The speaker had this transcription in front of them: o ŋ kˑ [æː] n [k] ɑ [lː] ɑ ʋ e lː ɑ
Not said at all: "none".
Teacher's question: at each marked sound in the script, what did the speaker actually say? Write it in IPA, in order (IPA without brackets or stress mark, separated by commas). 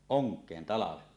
eː, t, l